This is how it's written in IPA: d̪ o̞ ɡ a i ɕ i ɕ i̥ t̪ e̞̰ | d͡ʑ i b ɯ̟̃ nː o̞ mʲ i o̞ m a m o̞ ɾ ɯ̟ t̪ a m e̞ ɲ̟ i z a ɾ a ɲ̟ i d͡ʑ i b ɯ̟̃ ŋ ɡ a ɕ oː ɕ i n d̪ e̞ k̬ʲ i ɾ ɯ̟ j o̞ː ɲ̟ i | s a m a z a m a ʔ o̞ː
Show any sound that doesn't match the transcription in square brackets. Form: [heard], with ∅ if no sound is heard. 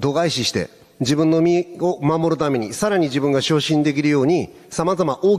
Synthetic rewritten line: d̪ o̞ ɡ a i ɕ i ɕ i̥ t̪ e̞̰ | d͡ʑ i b ɯ̟̃ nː o̞ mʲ i o̞ m a m o̞ ɾ ɯ̟ t̪ a m e̞ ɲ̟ i [s] a ɾ a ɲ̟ i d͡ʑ i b ɯ̟̃ ŋ ɡ a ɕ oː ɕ [ĩ] n d̪ e̞ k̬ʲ i ɾ ɯ̟ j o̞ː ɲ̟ i | s a m a z a m a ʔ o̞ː